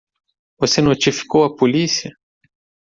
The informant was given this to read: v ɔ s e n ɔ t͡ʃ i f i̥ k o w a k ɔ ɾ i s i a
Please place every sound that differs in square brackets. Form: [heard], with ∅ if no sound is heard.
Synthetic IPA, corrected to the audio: v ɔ s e n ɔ t͡ʃ i f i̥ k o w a [p] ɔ [l] i s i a